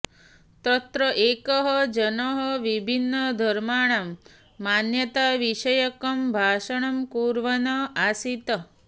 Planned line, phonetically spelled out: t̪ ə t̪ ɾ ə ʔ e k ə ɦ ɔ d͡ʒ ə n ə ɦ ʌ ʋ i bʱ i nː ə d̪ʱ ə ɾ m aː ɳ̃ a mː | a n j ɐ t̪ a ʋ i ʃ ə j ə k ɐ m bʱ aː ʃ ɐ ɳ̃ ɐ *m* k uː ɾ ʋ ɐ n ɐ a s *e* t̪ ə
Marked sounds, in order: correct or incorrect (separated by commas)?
correct, incorrect